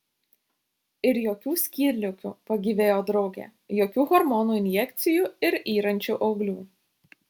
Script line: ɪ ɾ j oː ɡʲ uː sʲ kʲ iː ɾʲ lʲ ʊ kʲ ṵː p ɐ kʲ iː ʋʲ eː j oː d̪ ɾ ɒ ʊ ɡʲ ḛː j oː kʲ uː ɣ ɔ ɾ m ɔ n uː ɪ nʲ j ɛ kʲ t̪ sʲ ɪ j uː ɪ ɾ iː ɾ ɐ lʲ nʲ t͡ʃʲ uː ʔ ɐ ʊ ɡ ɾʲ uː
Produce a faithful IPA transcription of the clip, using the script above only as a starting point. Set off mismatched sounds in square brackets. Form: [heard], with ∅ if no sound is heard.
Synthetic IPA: ɪ ɾ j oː [kʲ] uː sʲ kʲ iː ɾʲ lʲ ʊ kʲ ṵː p ɐ [ɡʲ] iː ʋʲ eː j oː d̪ ɾ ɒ ʊ ɡʲ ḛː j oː kʲ uː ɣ ɔ ɾ m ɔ n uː ɪ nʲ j ɛ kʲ t̪ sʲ ɪ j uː ɪ ɾ iː ɾ ɐ [∅] nʲ t͡ʃʲ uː ʔ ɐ ʊ ɡ [lʲ] uː

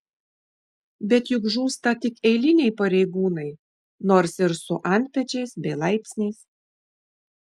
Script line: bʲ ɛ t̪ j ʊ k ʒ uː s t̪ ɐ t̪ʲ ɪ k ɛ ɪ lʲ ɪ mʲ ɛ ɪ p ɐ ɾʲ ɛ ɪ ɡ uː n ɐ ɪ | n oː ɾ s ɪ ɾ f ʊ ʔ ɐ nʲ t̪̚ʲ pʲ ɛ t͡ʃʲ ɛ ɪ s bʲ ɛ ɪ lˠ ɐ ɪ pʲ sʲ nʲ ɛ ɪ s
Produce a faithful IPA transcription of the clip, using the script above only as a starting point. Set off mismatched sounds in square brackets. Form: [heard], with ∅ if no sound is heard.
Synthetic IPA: bʲ ɛ t̪ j ʊ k ʒ uː s t̪ ɐ t̪ʲ ɪ k ɛ ɪ lʲ ɪ [nʲ] ɛ ɪ p ɐ ɾʲ ɛ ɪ ɡ uː n ɐ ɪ | n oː ɾ s ɪ ɾ [s] ʊ ʔ ɐ nʲ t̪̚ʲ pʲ ɛ t͡ʃʲ ɛ ɪ s bʲ ɛ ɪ lˠ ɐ ɪ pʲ sʲ nʲ ɛ ɪ s

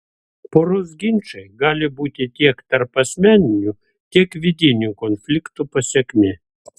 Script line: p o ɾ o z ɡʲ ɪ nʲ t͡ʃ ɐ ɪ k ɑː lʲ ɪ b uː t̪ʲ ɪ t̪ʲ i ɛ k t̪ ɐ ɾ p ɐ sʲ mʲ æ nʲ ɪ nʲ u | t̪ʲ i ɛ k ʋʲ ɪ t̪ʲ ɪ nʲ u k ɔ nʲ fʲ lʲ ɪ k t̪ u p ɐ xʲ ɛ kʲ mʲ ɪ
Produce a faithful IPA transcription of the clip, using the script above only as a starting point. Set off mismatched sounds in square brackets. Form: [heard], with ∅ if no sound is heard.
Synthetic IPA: p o ɾ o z ɡʲ ɪ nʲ t͡ʃ ɐ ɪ [ɡ] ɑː lʲ ɪ b uː t̪ʲ ɪ t̪ʲ i ɛ k t̪ ɐ ɾ p ɐ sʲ mʲ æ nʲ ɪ nʲ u | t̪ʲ i ɛ k ʋʲ ɪ [d̪ʲ] ɪ nʲ u k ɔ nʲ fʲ lʲ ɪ k t̪ u p ɐ [sʲ] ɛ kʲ mʲ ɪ

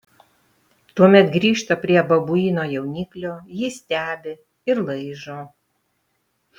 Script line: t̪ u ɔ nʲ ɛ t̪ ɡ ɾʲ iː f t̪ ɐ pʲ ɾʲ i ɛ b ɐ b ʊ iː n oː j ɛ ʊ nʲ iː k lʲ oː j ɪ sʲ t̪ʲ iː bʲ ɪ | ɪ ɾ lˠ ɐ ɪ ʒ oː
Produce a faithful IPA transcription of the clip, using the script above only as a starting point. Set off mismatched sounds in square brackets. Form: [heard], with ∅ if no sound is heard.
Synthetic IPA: t̪ u ɔ [mʲ] ɛ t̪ ɡ ɾʲ iː [ʃ] t̪ ɐ pʲ ɾʲ i ɛ b ɐ b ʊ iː n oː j ɛ ʊ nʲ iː k lʲ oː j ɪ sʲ t̪ʲ [æː] bʲ ɪ | ɪ ɾ lˠ ɐ ɪ ʒ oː

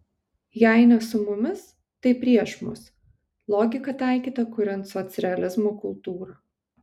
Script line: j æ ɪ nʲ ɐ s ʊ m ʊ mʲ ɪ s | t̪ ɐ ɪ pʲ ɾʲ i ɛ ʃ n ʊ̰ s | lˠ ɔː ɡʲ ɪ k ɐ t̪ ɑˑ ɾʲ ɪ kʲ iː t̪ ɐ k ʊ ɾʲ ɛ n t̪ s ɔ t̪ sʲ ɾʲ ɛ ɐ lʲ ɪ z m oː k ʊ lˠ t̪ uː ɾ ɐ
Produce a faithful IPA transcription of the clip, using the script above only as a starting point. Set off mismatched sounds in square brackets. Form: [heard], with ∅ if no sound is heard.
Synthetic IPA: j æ ɪ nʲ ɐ s ʊ m ʊ mʲ ɪ s | t̪ ɐ ɪ pʲ ɾʲ i ɛ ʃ [m] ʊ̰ s | lˠ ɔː ɡʲ ɪ k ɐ t̪ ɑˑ [∅] ɪ kʲ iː t̪ ɐ k ʊ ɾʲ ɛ n t̪ s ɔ t̪ sʲ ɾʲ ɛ ɐ lʲ ɪ z m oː k ʊ lˠ t̪ uː ɾ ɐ

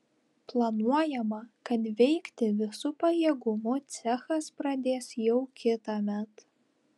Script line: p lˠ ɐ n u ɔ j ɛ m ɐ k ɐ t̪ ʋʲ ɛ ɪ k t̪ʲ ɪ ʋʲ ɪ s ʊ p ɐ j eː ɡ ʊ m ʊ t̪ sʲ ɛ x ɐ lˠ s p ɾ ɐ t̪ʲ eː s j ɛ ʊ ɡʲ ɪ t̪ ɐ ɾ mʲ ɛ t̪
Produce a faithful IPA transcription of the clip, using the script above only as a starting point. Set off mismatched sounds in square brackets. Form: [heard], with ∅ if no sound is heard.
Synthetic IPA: p lˠ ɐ n u ɔ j ɛ m ɐ k ɐ t̪ ʋʲ ɛ ɪ k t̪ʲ ɪ ʋʲ ɪ s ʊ p ɐ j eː ɡ ʊ m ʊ t̪ sʲ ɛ x ɐ [∅] s p ɾ ɐ [d̪ʲ] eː s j ɛ ʊ [kʲ] ɪ t̪ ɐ [∅] mʲ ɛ t̪

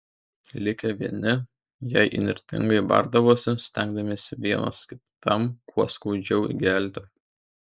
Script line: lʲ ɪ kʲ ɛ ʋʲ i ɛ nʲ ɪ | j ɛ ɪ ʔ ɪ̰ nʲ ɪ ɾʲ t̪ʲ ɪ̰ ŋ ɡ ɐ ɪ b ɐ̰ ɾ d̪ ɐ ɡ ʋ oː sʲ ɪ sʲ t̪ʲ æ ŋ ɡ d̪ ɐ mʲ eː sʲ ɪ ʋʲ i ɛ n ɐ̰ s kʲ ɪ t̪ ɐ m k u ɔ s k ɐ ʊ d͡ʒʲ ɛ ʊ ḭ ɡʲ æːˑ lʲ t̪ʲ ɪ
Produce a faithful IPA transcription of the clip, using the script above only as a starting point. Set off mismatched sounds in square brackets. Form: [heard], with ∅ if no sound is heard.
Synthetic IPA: lʲ ɪ kʲ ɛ ʋʲ i ɛ nʲ ɪ | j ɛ ɪ ʔ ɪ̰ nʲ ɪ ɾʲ t̪ʲ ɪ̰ ŋ ɡ ɐ ɪ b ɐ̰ ɾ d̪ ɐ [∅] ʋ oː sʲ ɪ sʲ t̪ʲ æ ŋ ɡ d̪ ɐ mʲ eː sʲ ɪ ʋʲ i ɛ n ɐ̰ s kʲ ɪ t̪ ɐ m k u ɔ s k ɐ ʊ d͡ʒʲ ɛ ʊ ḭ ɡʲ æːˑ lʲ t̪ʲ ɪ

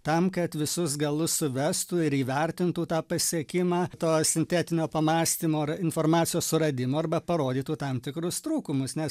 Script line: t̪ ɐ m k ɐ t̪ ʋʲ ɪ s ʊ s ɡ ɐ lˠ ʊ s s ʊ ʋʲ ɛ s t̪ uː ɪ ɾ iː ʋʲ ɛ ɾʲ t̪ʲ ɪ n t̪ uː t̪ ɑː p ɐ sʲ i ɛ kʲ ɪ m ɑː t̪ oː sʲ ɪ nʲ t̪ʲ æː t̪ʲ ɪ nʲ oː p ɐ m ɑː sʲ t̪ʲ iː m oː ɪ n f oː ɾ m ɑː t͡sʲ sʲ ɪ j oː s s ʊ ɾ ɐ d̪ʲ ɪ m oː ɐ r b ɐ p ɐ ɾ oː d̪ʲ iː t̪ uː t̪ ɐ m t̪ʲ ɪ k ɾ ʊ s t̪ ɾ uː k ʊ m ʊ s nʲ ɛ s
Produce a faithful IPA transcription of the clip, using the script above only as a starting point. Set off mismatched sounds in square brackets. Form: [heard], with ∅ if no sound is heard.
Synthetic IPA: t̪ ɐ m k ɐ t̪ ʋʲ ɪ s ʊ s ɡ ɐ lˠ ʊ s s ʊ ʋʲ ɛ s t̪ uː ɪ ɾ iː ʋʲ ɛ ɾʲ t̪ʲ ɪ n t̪ uː t̪ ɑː p ɐ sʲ i ɛ kʲ ɪ m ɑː t̪ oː sʲ ɪ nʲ t̪ʲ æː t̪ʲ ɪ nʲ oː p ɐ m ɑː sʲ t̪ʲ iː m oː ɪ n f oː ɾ m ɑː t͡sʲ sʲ ɪ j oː s s ʊ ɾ ɐ d̪ʲ ɪ m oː ɐ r b ɐ p ɐ ɾ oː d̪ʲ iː t̪ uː t̪ ɐ m t̪ʲ ɪ k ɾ ʊ s t̪ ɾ uː k ʊ m ʊ s nʲ ɛ s

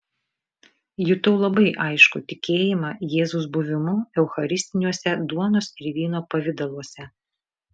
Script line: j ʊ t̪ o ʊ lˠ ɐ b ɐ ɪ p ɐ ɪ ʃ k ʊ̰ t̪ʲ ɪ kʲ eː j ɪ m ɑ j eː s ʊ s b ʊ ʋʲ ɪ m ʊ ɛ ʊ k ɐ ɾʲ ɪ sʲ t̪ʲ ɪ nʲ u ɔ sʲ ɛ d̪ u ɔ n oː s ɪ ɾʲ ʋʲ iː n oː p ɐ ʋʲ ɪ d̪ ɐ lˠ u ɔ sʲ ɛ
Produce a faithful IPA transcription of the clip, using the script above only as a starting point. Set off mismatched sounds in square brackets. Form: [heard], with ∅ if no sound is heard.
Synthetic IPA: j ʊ t̪ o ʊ lˠ ɐ b ɐ ɪ [ʔ] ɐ ɪ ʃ k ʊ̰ t̪ʲ ɪ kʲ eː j ɪ m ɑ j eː [z] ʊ s b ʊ ʋʲ ɪ m ʊ ɛ ʊ [x] ɐ ɾʲ ɪ sʲ t̪ʲ ɪ nʲ u ɔ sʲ ɛ d̪ u ɔ n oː s ɪ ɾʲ ʋʲ iː n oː p ɐ ʋʲ ɪ d̪ ɐ lˠ u ɔ sʲ ɛ

